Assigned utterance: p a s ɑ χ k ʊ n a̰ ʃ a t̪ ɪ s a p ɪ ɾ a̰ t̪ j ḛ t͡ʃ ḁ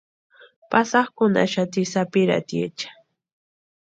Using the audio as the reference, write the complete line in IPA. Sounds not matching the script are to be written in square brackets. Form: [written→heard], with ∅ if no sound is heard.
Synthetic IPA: p a s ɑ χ k ʊ n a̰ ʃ a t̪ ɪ s a p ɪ ɾ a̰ t̪ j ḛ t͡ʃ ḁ

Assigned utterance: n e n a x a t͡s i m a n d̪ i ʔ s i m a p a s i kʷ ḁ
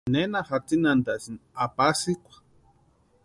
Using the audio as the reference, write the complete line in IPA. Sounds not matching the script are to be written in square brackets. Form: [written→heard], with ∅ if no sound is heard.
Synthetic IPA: n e n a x a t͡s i [m→n] a n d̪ [i→a] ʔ s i [m→n] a p a s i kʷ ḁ

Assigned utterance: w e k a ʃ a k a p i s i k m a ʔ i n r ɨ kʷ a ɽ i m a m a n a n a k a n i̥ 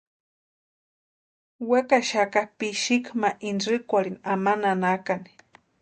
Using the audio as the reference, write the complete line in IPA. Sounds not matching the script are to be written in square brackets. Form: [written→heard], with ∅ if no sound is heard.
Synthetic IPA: w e k a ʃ a k a p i [s→ʃ] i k m a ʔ i n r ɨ kʷ a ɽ i [m→n] a m a n a n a k a n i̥

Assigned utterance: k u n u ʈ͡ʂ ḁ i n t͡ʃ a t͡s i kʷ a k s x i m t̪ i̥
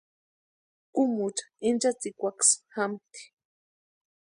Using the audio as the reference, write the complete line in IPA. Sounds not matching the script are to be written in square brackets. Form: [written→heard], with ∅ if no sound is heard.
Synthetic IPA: k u [n→m] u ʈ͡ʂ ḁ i n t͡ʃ a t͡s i kʷ a k s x [i→a] m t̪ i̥

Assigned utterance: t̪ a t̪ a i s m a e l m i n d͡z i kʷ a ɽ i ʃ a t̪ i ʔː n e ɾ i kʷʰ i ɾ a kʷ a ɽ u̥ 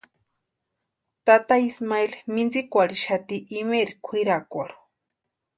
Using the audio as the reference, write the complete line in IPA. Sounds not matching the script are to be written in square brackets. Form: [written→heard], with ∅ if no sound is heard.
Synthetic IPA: t̪ a t̪ a i s m a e l m i n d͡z i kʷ a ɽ i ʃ a t̪ i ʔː [n→m] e ɾ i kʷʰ i ɾ a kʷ a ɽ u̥

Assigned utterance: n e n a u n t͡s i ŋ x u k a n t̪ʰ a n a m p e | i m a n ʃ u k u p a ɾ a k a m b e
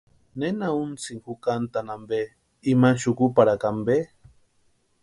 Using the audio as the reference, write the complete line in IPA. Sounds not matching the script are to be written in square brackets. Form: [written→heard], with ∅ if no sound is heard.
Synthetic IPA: n e n a u n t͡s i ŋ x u k a n [t̪ʰ→t̪] a n a m [p→b] e | i m a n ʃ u k u p a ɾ a k a m b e

